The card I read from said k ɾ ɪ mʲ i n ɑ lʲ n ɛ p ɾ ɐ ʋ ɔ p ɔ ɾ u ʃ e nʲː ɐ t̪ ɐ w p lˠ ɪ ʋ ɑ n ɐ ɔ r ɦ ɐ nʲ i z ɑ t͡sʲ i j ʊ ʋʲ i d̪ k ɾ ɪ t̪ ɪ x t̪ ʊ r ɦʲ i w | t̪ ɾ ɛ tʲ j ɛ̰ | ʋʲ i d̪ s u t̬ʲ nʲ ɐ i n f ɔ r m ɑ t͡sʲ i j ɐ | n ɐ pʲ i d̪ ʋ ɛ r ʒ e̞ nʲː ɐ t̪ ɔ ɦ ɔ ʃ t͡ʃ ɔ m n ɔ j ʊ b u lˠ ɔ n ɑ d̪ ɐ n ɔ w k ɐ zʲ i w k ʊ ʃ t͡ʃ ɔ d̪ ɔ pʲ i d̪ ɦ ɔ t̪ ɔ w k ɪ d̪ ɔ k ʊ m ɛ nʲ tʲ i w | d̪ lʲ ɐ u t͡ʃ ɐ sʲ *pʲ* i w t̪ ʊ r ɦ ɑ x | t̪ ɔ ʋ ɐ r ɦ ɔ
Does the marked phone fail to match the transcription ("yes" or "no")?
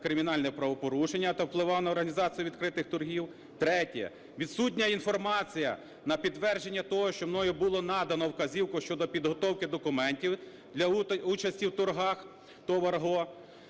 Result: yes